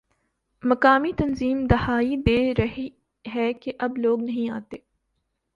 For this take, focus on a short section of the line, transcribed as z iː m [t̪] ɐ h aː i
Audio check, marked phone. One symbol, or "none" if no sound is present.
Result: d̪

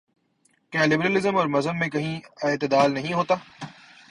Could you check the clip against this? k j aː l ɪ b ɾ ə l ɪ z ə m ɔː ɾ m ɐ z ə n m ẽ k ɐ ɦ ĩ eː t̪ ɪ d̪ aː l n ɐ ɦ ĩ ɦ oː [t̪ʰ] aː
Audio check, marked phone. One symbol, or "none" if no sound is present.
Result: t̪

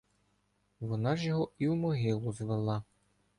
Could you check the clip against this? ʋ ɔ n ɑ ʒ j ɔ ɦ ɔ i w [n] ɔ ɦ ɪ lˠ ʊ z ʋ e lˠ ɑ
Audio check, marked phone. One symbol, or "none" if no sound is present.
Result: m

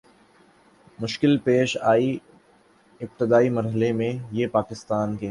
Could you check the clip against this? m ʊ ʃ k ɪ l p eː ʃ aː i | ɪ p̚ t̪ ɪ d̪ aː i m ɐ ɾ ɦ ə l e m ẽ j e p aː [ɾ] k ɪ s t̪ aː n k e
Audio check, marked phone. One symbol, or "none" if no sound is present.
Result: none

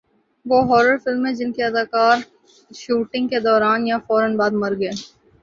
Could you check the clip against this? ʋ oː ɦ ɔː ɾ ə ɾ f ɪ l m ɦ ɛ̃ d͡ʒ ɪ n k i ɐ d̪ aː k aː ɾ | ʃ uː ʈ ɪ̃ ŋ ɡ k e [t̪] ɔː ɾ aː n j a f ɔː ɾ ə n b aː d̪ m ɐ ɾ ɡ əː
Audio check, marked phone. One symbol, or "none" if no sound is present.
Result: d̪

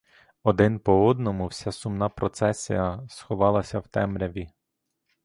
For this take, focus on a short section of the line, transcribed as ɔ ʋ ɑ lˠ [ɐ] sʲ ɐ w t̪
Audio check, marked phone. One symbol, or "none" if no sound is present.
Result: ɐ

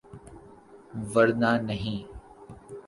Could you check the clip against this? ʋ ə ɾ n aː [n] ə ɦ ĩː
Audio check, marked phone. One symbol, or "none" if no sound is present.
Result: n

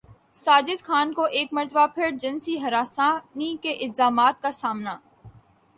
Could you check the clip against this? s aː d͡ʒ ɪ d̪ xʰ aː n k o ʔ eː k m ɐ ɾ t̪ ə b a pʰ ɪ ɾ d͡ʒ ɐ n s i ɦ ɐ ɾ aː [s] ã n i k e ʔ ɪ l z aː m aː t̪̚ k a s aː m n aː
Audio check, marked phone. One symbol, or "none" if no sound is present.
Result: s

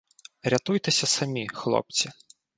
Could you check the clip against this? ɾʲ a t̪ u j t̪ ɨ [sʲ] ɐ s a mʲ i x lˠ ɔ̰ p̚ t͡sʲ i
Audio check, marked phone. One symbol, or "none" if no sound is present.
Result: sʲ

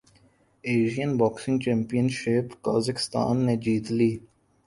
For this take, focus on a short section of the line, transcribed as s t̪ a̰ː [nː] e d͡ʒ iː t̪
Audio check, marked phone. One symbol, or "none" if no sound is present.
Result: nː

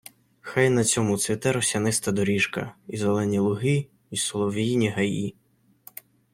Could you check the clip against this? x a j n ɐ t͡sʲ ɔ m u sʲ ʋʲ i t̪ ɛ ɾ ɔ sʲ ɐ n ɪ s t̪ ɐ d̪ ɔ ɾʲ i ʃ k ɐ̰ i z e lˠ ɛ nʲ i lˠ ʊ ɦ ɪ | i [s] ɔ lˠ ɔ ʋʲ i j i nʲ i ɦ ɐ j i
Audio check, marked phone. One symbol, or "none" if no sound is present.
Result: s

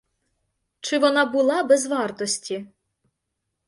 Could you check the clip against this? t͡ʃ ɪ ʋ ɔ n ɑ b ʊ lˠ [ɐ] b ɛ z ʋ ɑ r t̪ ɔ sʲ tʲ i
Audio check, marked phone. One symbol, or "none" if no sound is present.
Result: ɑ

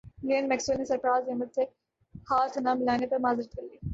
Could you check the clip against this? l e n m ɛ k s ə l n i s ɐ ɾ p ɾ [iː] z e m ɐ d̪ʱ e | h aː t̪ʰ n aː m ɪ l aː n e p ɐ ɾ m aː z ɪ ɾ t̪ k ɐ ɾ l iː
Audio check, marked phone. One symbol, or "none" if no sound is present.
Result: aː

